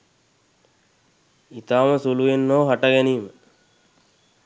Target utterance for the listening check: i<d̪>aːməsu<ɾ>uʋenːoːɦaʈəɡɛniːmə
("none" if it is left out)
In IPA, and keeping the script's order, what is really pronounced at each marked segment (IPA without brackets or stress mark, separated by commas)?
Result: t̪, l